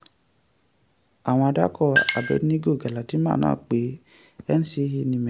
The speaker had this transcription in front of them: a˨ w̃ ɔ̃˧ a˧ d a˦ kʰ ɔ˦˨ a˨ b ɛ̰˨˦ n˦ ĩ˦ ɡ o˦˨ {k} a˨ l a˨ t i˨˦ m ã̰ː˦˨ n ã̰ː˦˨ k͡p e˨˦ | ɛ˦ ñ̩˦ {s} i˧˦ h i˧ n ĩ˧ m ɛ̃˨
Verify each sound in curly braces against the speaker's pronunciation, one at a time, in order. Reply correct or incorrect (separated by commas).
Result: incorrect, correct